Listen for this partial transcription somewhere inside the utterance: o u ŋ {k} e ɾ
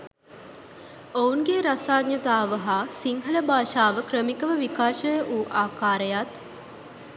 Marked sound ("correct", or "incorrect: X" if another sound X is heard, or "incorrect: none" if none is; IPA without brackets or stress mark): incorrect: ɡ